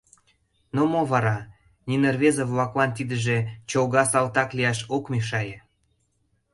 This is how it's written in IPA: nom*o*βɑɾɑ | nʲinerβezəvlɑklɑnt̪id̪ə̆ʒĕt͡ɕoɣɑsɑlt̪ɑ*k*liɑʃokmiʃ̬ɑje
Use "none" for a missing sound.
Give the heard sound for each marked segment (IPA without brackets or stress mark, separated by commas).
o, k